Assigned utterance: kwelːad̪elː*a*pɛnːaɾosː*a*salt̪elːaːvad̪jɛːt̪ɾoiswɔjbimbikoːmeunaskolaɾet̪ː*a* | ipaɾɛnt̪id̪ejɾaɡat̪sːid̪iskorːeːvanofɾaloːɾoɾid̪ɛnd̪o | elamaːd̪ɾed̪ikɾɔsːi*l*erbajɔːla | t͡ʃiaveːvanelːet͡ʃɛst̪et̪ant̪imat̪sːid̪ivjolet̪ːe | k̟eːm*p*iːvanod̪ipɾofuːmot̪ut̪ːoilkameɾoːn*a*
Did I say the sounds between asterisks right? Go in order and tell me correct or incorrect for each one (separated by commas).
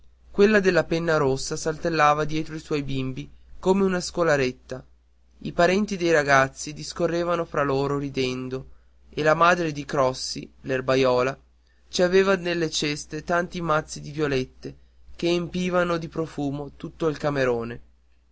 correct, correct, correct, correct, correct, incorrect